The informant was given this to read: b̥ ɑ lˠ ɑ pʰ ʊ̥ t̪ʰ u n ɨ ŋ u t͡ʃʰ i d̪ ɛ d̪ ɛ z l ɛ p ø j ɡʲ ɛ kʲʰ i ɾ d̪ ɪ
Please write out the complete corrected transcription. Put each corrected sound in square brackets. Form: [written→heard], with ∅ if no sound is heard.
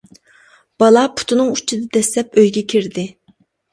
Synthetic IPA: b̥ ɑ lˠ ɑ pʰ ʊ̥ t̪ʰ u n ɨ ŋ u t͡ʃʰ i d̪ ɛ d̪ ɛ [z→s] l ɛ p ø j ɡʲ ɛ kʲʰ i ɾ d̪ ɪ